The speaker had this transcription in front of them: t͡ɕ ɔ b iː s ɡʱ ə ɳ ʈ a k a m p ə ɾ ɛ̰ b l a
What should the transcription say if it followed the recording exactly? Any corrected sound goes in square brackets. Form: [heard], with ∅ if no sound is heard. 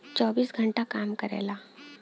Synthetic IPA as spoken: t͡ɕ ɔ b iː s ɡʱ ə ɳ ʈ a k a m [k] ə ɾ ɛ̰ [∅] l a